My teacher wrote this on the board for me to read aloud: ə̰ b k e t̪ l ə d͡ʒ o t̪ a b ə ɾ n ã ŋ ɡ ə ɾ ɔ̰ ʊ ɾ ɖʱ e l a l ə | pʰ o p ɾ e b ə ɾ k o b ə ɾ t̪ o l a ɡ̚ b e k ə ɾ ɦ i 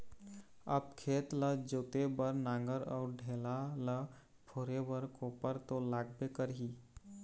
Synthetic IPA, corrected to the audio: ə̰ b kʰ e t̪ l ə d͡ʒ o t̪ e b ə ɾ n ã ŋ ɡ ə ɾ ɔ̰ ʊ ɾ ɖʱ e l a l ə | pʰ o ɾ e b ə ɾ k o p ə ɾ t̪ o l a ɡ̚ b e k ə ɾ ɦ i